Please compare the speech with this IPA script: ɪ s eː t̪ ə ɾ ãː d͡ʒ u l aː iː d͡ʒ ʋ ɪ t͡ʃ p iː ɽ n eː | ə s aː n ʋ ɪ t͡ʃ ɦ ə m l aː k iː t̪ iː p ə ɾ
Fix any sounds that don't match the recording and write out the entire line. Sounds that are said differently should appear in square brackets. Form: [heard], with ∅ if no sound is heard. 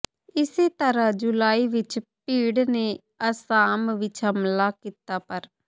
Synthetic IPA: ɪ s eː t̪ ə ɾ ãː d͡ʒ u l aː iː [∅] ʋ ɪ t͡ʃ p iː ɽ n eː | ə s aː [m] ʋ ɪ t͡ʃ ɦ ə m l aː k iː t̪ [aː] p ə ɾ

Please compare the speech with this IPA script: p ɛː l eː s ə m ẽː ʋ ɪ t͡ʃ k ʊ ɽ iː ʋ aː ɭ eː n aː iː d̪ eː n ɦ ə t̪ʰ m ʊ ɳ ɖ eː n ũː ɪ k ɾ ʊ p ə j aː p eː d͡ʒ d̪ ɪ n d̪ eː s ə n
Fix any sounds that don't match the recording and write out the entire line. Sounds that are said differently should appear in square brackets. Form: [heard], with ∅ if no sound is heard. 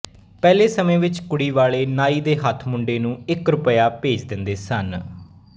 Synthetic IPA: p ɛː l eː s ə m ẽː ʋ ɪ t͡ʃ k ʊ ɽ iː ʋ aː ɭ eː n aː iː d̪ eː [∅] ɦ ə t̪ʰ m ʊ ɳ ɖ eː n ũː ɪ k ɾ ʊ p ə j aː p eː d͡ʒ d̪ ɪ n d̪ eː s ə n

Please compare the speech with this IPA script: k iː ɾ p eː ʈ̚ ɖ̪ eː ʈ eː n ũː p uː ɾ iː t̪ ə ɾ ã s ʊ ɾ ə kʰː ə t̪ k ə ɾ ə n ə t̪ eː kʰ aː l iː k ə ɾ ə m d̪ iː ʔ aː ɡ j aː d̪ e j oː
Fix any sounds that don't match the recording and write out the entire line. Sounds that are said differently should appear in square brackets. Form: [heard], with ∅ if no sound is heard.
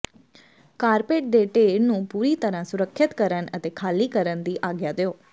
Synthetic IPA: k [aː] ɾ p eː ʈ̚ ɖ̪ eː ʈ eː n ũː p uː ɾ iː t̪ ə ɾ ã s ʊ ɾ ə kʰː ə t̪ k ə ɾ ə n ə t̪ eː kʰ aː l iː k ə ɾ ə [n] d̪ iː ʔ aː ɡ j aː d̪ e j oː

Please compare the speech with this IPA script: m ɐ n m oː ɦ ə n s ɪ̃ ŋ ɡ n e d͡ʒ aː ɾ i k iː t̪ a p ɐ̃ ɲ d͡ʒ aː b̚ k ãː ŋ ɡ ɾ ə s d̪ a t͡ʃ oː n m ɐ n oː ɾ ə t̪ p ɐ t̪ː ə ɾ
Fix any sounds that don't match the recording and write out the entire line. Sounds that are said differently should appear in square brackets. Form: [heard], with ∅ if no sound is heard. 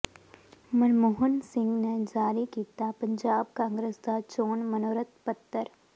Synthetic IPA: m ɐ n m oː ɦ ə n s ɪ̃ ŋ ɡ n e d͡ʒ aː ɾ i k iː t̪ a p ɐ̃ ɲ d͡ʒ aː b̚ k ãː ŋ ɡ ɾ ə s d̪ a t͡ʃ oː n m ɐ n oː ɾ ə t̪ p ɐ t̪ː ə ɾ

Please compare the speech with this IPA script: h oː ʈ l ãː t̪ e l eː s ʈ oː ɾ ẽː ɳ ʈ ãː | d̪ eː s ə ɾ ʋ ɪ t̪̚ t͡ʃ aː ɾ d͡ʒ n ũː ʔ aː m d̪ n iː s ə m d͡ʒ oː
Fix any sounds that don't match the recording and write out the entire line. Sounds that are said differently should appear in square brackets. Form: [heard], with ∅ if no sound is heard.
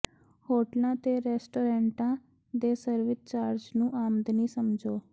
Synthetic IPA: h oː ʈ l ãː t̪ e [ɾ] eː s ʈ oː ɾ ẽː ɳ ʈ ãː | d̪ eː s ə ɾ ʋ ɪ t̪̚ t͡ʃ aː ɾ d͡ʒ n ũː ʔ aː m d̪ n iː s ə m d͡ʒ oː

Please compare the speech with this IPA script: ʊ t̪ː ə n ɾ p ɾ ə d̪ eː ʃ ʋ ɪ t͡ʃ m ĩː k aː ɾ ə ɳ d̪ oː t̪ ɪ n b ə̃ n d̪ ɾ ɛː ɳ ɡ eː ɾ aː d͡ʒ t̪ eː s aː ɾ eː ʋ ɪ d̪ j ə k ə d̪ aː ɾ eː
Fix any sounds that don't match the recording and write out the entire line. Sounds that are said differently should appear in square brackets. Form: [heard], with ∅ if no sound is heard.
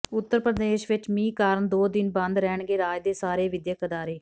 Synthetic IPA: ʊ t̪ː ə [∅] ɾ p ɾ ə d̪ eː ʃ ʋ ɪ t͡ʃ m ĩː k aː ɾ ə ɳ d̪ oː [d̪] ɪ n b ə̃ n d̪ ɾ ɛː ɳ ɡ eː ɾ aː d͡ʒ [d̪] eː s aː ɾ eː ʋ ɪ d̪ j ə k ə d̪ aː ɾ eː

